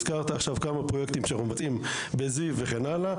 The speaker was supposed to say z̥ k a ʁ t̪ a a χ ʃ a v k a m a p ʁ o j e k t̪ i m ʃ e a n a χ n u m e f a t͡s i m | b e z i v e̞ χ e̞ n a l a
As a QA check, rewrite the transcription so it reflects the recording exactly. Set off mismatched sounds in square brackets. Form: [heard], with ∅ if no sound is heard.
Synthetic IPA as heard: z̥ k a ʁ t̪ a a χ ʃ a v k a m a p ʁ o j e k t̪ i m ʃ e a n a χ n u m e [v] a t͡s i m | b e z i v e̞ χ e̞ n a l a